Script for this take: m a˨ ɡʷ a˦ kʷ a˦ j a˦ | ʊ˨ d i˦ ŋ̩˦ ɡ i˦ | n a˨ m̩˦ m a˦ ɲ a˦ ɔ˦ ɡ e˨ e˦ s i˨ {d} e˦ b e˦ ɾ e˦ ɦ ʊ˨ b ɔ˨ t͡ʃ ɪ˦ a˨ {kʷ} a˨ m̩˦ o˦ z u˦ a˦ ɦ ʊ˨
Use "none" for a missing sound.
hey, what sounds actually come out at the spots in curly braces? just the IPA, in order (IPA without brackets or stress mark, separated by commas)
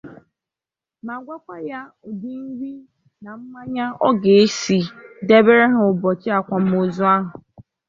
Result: d, kʷ